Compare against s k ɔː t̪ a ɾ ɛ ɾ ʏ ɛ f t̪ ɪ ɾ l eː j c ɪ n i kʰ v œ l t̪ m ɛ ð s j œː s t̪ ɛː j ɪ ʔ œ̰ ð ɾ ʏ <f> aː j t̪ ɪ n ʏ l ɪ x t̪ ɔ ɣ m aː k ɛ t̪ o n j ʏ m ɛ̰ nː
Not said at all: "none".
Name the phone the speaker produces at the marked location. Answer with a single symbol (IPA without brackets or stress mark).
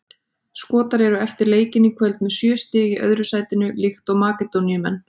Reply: s